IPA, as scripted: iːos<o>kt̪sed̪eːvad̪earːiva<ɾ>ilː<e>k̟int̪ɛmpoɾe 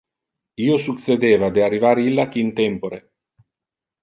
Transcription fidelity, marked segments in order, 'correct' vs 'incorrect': incorrect: u, correct, incorrect: a

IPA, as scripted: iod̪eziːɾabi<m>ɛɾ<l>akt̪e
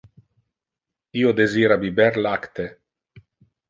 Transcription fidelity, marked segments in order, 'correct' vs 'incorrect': incorrect: b, correct

